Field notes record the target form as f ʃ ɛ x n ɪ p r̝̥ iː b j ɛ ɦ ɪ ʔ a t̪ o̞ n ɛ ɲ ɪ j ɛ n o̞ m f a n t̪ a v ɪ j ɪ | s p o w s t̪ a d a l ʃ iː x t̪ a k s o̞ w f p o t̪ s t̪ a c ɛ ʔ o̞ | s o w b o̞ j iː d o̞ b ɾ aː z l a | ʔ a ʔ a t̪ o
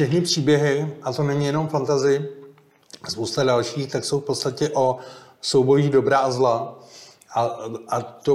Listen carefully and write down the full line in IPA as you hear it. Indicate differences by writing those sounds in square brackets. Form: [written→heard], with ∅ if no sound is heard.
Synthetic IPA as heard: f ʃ ɛ x n ɪ p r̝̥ iː b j ɛ ɦ ɪ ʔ a t̪ o̞ n ɛ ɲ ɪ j ɛ n o̞ m f a n t̪ a [v→z] ɪ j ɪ | s p o w s t̪ a d a l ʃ iː x t̪ a k s o̞ w f p o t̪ s t̪ a c ɛ ʔ o̞ | s o w b o̞ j iː d o̞ b ɾ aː z l a | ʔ a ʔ a t̪ o